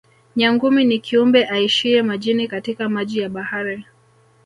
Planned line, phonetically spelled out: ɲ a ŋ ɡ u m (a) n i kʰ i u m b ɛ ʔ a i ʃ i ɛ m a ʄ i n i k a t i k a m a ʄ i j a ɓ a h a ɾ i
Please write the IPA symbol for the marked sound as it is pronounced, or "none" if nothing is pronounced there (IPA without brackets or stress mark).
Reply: i